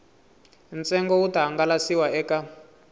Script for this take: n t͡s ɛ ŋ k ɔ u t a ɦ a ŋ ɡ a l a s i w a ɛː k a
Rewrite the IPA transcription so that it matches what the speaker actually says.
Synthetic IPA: n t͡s ɛ ŋ ɡ ɔ u t a ɦ a ŋ ɡ a l a s i w a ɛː k a